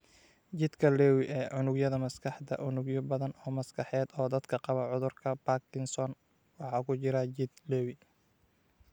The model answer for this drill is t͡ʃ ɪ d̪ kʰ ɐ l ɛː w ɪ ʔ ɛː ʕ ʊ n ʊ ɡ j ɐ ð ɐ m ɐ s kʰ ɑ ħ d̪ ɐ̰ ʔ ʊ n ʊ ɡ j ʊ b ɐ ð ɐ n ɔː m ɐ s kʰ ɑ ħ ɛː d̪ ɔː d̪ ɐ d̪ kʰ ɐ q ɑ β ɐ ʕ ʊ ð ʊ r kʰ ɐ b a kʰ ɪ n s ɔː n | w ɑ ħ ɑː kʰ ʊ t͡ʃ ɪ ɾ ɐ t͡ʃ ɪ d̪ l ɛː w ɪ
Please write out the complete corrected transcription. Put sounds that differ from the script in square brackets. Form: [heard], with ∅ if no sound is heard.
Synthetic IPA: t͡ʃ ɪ d̪ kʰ ɐ l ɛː w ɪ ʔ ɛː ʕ ʊ n ʊ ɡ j ɐ ð ɐ m ɐ s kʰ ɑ ħ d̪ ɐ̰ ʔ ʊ n ʊ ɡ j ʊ b ɐ ð ɐ n ɔː m ɐ s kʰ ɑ ħ ɛː d̪ ɔː d̪ ɐ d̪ kʰ ɐ q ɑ β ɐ ʕ ʊ ð ʊ r kʰ ɐ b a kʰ ɪ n s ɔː n | w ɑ ħ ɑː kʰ ʊ t͡ʃ ɪ ɾ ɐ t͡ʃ ɪ d̪ l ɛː w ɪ